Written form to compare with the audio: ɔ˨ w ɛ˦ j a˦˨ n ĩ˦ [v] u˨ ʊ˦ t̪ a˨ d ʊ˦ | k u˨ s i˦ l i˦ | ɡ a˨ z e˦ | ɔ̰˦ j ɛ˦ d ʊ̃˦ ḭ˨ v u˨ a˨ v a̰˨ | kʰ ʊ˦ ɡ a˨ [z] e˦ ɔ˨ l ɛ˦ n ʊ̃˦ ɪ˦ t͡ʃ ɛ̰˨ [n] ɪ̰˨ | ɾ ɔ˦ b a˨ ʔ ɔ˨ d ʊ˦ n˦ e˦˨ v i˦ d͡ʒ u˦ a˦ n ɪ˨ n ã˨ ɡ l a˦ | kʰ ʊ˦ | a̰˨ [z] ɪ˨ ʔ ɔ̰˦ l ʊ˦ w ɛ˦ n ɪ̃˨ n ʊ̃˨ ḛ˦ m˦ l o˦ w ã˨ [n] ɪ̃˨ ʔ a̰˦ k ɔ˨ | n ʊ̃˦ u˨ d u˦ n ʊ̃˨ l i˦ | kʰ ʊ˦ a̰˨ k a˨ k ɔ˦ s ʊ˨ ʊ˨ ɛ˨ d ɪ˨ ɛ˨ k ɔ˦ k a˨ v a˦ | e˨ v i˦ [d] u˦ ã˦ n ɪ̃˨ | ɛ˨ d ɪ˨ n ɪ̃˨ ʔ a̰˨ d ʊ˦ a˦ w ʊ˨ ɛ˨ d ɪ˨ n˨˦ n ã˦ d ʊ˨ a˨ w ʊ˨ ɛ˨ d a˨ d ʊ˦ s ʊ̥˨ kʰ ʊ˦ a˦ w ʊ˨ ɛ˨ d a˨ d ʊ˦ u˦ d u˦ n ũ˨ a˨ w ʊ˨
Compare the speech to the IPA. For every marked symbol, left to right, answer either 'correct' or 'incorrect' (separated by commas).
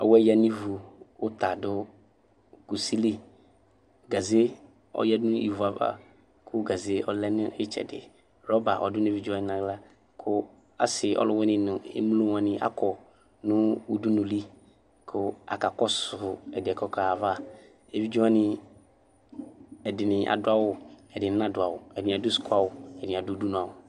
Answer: correct, correct, incorrect, incorrect, correct, incorrect